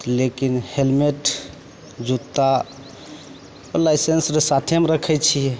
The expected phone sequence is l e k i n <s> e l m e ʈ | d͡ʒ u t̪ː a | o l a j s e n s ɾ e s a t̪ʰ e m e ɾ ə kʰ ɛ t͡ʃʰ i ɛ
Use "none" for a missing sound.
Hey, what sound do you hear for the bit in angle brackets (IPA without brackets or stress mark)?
h